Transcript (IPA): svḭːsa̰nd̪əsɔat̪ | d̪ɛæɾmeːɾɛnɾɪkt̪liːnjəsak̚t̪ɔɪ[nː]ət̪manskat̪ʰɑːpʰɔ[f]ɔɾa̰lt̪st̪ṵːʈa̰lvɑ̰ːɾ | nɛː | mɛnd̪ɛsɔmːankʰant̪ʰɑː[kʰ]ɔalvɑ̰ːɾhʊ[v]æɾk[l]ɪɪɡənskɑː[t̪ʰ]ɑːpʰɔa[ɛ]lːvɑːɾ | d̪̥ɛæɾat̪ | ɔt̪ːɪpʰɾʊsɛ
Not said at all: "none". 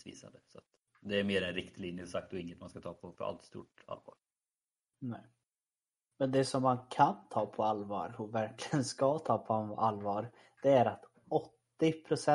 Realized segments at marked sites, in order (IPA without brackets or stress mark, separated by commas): ŋː, f, pʰ, v, l, t̪ʰ, a